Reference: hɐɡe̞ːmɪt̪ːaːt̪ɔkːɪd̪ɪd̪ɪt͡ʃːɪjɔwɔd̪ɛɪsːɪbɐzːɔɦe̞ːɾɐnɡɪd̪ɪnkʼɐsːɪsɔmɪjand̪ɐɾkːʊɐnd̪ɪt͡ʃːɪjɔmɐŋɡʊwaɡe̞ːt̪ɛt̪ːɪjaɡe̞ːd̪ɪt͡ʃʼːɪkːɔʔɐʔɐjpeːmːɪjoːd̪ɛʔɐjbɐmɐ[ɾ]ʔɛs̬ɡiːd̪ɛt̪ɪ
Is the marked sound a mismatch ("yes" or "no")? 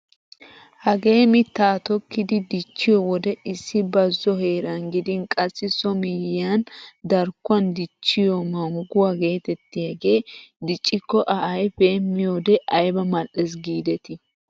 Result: yes